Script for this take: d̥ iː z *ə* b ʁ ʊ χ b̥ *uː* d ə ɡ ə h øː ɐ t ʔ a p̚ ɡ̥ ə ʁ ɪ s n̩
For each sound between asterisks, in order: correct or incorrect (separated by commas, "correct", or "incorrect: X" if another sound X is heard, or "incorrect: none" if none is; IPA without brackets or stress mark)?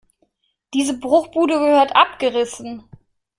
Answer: correct, correct